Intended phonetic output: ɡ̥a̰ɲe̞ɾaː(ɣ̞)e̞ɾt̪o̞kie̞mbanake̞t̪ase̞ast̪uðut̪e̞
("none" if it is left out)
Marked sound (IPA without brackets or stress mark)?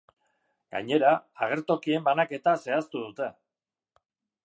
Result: ɣ̞